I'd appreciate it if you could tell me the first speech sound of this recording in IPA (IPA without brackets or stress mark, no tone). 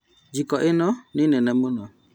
d͡ʒ